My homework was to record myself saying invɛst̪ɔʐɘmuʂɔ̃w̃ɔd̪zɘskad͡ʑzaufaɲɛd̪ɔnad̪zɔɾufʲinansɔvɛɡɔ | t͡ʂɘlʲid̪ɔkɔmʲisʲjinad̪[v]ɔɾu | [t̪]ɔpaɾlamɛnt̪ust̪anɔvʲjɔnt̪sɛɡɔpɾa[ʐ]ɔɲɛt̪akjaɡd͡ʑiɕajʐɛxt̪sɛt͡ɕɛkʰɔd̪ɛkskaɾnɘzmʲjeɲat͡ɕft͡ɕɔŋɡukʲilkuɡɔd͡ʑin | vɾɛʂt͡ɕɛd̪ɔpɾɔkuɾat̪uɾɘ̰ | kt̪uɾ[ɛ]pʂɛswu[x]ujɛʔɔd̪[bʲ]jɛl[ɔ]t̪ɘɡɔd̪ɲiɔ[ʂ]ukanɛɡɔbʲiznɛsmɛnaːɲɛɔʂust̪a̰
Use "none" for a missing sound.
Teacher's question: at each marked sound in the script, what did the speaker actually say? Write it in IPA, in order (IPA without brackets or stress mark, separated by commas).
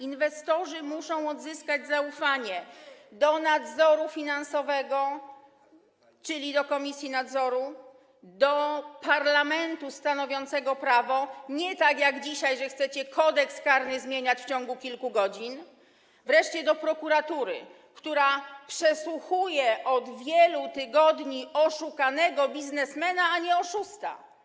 z, d̪, v, a, x, vʲ, u, ʂ